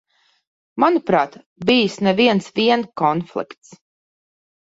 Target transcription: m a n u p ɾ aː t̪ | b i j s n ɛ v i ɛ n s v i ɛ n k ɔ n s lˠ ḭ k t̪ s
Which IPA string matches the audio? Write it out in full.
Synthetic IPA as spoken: m a n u p ɾ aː t̪ | b i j s n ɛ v i ɛ n s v i ɛ n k ɔ n f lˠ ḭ k t̪ s